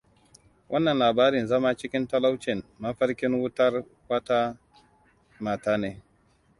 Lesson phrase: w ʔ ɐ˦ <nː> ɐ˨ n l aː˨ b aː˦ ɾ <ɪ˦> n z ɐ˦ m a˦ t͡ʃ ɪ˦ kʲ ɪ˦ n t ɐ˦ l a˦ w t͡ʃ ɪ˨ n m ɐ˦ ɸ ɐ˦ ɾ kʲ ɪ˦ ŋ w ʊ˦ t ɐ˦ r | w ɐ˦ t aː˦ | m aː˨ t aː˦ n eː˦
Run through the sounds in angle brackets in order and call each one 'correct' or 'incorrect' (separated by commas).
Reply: correct, incorrect